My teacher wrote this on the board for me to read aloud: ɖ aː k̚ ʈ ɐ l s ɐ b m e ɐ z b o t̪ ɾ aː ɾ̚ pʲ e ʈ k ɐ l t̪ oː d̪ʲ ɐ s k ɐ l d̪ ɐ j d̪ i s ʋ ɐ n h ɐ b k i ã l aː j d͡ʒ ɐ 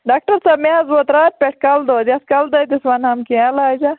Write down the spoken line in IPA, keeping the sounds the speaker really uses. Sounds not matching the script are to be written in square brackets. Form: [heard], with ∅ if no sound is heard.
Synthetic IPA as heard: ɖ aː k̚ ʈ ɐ [ɾ] s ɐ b m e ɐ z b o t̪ ɾ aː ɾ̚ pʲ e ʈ k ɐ l [d̪] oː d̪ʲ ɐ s k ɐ l d̪ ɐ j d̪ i s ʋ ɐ n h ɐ [m] k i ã l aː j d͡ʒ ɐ